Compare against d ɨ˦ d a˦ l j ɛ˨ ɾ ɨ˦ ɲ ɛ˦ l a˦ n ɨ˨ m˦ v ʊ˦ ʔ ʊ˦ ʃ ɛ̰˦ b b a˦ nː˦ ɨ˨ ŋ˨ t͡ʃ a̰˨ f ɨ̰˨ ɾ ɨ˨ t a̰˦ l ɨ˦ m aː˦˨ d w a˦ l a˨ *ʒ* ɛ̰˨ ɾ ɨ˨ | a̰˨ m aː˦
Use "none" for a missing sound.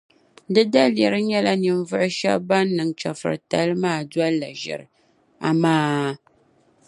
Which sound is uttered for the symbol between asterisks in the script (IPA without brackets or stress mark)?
ʒ